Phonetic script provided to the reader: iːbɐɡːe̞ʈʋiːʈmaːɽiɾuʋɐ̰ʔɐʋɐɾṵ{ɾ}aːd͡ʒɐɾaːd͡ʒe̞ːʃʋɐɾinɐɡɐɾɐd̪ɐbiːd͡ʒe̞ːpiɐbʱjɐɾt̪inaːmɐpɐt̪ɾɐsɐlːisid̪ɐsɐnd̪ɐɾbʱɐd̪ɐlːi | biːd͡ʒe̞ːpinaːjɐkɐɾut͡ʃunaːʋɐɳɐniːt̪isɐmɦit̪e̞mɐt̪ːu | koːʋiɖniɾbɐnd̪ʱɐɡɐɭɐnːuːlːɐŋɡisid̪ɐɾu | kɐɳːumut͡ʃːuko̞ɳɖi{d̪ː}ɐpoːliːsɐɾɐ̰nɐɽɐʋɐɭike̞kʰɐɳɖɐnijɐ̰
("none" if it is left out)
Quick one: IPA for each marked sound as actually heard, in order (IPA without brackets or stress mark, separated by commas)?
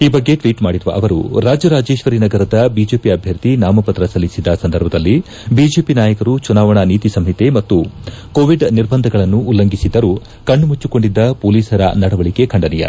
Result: ɾ, d̪ː